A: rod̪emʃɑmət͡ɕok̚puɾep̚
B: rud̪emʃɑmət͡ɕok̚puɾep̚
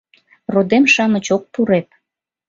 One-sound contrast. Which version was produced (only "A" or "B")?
A